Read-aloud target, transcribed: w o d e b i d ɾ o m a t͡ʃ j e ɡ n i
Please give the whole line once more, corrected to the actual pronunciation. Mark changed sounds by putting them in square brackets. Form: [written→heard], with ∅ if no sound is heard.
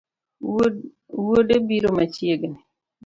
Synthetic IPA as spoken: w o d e b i [d→∅] ɾ o m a t͡ʃ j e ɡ n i